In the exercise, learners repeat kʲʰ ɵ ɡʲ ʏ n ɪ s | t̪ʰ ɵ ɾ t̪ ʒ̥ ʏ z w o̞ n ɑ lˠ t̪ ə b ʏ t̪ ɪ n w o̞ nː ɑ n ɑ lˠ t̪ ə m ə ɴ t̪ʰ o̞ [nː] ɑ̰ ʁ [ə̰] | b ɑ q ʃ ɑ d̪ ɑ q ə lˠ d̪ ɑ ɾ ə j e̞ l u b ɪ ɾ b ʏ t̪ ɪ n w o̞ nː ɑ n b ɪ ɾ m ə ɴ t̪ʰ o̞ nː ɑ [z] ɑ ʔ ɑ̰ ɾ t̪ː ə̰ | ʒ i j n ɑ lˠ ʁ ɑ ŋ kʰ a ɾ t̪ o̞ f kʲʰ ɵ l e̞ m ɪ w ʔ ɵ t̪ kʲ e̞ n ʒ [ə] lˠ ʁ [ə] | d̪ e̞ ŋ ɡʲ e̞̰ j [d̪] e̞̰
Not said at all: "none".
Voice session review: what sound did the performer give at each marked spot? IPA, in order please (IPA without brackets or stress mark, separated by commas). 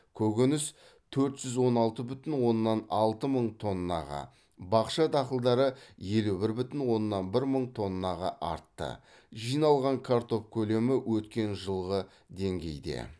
nː, ɑ̰, ʁ, ə, ə, d̪